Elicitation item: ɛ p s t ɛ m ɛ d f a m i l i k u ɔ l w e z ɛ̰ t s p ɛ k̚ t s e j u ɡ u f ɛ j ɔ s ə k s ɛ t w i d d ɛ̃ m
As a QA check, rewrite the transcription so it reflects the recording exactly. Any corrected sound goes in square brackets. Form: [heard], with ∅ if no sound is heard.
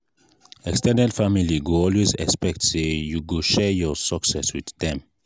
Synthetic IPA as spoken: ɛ [k] s t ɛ [n] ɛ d f a m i l i [ɡ] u ɔ l w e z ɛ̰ [k] s p ɛ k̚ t s e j u ɡ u [ʃ] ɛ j ɔ s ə k s ɛ [s] w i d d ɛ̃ m